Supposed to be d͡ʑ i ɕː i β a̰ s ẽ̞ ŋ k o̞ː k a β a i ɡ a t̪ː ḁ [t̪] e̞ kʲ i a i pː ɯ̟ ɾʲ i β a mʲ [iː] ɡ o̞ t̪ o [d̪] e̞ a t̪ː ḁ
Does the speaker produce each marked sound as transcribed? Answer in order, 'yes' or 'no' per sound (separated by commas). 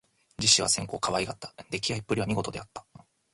no, no, yes